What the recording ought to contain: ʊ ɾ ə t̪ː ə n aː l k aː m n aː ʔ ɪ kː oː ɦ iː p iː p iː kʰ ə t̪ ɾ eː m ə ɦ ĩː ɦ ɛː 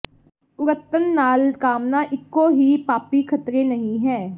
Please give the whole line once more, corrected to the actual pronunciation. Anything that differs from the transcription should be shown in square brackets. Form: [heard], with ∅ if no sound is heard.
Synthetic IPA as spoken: ʊ ɾ ə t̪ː ə [nː] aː l k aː m n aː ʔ ɪ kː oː ɦ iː p [aː] p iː kʰ ə t̪ ɾ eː [n] ə ɦ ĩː ɦ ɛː